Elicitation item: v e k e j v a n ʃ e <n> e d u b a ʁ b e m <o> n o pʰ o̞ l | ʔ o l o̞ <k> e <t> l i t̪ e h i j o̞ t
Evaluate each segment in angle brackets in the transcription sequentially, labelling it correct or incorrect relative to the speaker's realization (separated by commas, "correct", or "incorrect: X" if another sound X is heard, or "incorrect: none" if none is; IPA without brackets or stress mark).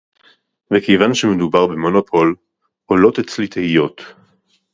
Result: incorrect: m, correct, incorrect: t, incorrect: t͡s